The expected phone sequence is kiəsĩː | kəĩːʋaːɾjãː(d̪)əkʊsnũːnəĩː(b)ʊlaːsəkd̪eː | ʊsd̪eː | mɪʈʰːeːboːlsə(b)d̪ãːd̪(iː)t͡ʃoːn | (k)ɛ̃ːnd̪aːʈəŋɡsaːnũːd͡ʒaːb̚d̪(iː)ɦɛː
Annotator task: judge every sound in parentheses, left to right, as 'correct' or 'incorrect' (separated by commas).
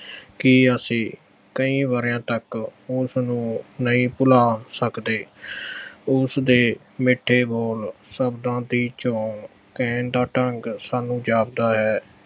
incorrect, incorrect, correct, correct, correct, incorrect